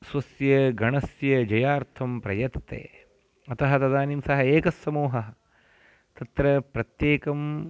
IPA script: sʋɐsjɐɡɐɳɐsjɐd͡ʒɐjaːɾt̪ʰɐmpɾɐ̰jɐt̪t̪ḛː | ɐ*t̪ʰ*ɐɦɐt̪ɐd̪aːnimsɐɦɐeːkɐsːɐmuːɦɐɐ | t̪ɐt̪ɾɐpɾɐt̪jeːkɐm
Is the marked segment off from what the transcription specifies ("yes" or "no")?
yes